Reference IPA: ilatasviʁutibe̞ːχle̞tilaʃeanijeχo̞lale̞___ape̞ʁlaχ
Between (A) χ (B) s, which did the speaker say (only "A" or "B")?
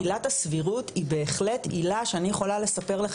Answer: B